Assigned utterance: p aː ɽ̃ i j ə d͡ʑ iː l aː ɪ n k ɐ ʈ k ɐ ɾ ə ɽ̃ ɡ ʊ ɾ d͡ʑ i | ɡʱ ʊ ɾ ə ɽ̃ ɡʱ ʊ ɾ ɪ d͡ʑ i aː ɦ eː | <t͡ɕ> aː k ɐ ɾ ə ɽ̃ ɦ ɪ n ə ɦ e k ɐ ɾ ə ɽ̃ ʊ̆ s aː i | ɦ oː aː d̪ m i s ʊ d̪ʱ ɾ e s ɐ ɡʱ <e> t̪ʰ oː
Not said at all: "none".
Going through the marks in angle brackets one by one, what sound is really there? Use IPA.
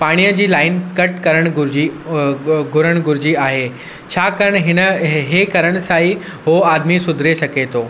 t͡ɕʰ, e

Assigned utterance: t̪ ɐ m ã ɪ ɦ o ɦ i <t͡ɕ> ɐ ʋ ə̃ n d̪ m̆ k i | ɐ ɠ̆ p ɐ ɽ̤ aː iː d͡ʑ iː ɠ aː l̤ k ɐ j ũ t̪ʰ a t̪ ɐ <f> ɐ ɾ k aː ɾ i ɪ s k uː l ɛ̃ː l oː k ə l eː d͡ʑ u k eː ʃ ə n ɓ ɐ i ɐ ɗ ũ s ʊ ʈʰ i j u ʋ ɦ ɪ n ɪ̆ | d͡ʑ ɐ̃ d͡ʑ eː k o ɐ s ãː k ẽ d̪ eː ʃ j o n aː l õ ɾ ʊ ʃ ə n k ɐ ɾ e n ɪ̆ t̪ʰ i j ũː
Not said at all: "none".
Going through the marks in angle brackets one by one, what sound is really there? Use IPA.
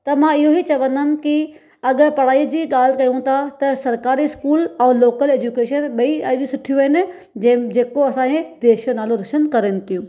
t͡ɕ, s

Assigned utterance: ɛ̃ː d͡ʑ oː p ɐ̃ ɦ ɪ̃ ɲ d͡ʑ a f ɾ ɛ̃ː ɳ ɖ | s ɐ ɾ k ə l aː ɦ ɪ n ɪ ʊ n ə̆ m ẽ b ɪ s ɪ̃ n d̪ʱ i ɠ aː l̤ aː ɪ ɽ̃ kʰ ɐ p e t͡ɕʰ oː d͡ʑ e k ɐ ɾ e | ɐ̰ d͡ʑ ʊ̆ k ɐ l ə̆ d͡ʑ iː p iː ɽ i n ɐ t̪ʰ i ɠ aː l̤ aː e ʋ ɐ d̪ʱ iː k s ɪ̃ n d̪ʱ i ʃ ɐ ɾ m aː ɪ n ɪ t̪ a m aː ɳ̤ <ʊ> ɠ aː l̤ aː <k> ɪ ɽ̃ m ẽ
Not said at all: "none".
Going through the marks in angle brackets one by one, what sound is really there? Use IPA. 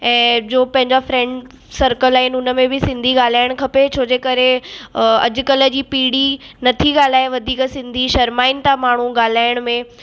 u, none

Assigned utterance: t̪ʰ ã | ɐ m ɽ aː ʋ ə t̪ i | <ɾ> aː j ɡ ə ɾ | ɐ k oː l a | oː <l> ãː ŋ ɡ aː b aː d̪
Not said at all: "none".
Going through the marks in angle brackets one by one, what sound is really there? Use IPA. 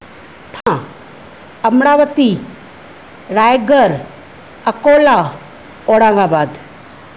ɾ, ɽ

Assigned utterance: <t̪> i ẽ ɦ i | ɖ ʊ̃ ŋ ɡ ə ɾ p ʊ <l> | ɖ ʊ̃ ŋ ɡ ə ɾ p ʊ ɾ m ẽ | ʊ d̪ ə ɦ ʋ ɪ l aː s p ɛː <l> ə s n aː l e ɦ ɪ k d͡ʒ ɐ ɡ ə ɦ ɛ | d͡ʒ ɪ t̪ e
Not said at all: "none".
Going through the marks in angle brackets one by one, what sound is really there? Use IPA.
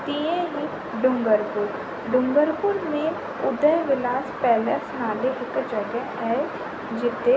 t̪, ɾ, l

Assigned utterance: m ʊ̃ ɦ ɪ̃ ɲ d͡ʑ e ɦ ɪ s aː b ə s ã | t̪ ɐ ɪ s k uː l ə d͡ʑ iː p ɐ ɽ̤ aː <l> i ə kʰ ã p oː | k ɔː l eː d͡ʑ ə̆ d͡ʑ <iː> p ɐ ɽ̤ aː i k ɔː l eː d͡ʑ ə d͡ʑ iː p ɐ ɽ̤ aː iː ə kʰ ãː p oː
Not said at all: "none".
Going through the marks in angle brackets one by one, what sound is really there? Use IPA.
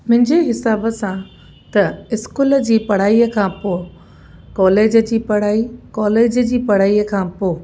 none, iː

